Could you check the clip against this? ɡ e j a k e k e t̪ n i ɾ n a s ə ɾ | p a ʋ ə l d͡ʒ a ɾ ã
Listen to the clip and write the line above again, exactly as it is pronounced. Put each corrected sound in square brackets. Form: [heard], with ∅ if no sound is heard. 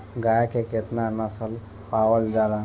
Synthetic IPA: ɡ [a] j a k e k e t̪ n [a] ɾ n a s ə [l] | p a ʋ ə l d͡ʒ a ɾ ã